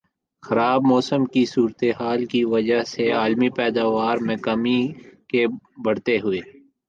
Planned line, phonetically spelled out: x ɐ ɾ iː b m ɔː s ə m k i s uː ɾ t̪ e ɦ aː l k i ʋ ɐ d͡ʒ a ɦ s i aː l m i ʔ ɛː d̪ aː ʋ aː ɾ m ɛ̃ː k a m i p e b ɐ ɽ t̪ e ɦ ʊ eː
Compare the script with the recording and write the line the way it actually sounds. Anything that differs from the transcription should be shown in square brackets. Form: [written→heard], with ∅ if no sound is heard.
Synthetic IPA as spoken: x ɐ ɾ [iː→aː] b m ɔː s ə m k i s uː ɾ t̪ e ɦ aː l k i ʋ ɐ d͡ʒ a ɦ s [i→e] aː l m i [ʔ→p] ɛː d̪ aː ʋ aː ɾ m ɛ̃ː k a m i [p→k] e b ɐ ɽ t̪ e ɦ ʊ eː

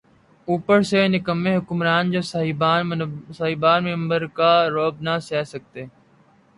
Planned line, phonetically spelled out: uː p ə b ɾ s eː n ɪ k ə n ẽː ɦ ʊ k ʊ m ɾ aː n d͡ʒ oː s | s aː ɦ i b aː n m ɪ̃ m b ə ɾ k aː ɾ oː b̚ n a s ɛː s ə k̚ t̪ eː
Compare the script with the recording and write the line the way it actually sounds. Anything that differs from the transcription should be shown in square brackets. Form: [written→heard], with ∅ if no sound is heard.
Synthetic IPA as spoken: uː p ə [b→∅] ɾ s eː n ɪ k ə [n→m] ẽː ɦ ʊ k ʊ m ɾ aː n d͡ʒ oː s | s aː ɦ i b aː n m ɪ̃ m b ə ɾ k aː ɾ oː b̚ n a s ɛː s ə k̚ t̪ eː

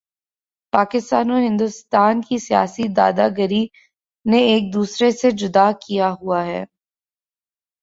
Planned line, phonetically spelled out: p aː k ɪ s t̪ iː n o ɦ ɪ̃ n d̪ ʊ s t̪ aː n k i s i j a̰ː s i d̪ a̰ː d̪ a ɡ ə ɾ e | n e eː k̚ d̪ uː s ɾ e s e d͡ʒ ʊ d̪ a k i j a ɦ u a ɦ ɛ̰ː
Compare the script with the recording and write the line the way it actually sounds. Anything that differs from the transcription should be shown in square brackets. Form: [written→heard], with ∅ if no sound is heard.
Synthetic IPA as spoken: p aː k ɪ s t̪ [iː→aː] n o ɦ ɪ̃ n d̪ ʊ s t̪ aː n k i s i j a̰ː s i d̪ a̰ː d̪ a ɡ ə ɾ [e→i] | n e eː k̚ d̪ uː s ɾ e s e d͡ʒ ʊ d̪ a k i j a ɦ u a ɦ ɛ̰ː

